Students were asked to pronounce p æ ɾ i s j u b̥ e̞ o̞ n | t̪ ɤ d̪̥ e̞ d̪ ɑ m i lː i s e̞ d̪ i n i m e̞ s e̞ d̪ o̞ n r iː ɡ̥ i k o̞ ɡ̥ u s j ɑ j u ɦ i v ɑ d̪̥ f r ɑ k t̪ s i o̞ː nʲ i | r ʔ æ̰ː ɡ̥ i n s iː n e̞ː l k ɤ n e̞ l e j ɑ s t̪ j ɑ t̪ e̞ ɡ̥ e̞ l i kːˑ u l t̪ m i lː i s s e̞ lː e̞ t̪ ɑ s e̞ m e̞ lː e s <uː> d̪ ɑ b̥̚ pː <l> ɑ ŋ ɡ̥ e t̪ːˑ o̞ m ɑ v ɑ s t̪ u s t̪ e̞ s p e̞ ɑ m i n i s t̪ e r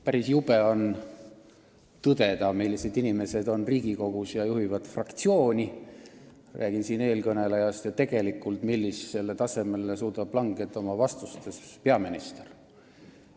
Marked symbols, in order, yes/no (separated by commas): yes, yes